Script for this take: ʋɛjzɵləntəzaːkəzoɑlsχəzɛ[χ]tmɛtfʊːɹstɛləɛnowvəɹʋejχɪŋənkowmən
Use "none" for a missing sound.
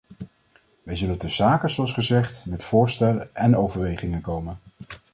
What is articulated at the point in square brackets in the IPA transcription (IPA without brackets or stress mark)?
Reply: χ